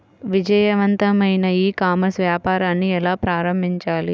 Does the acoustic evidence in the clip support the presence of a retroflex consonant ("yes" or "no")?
no